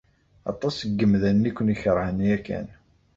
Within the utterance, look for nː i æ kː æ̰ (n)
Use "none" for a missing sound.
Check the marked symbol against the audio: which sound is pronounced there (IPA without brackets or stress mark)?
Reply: n